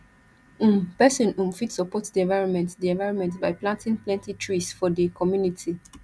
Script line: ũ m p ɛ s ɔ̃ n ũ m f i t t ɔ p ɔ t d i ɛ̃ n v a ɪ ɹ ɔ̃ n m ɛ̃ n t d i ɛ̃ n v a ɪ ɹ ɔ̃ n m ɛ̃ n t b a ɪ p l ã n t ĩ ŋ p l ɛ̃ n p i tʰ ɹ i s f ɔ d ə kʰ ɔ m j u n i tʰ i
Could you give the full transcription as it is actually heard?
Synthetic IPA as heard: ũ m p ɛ s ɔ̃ n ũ m f i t s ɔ p ɔ t d i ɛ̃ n v a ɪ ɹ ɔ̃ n m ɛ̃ n t d i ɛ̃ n v a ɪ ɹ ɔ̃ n m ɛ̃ n t b a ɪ p l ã n t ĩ ŋ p l ɛ̃ n t i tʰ ɹ i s f ɔ d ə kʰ ɔ m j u n i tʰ i